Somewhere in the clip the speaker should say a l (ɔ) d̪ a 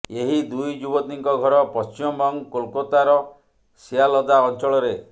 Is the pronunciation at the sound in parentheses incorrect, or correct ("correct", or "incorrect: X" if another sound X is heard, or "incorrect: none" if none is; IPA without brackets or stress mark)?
correct